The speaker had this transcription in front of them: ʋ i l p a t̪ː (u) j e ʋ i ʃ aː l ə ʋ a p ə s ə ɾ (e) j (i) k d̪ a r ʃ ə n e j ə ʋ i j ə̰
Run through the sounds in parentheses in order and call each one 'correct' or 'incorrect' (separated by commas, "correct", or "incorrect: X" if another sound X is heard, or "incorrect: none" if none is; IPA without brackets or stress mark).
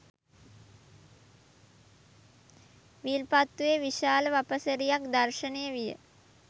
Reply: correct, incorrect: i, incorrect: a